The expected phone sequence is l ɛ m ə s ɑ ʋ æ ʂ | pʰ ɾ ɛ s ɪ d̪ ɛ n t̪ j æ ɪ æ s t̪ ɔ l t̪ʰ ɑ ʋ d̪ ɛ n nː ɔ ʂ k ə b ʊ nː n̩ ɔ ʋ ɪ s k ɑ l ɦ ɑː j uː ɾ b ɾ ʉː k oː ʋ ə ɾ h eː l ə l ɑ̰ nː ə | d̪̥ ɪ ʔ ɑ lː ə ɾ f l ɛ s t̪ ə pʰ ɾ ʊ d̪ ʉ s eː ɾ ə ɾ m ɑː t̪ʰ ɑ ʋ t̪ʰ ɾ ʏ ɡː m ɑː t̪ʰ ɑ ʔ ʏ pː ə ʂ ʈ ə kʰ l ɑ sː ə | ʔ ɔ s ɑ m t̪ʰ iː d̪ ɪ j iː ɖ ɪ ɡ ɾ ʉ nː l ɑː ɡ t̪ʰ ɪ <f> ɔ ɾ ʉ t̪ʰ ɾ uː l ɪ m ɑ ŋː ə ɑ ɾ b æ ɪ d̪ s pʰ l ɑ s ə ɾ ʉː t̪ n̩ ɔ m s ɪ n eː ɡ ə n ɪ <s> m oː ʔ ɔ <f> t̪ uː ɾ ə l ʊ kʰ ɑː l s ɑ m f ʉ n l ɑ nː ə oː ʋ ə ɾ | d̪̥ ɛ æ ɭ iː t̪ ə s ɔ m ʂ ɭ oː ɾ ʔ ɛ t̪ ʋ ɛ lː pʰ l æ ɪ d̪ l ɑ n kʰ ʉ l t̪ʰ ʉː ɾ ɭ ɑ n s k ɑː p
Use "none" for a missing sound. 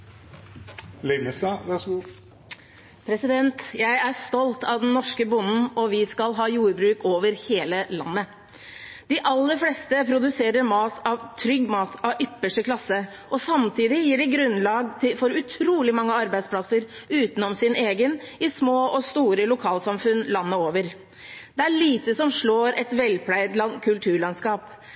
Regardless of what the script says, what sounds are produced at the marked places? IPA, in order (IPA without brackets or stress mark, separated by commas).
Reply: f, s, s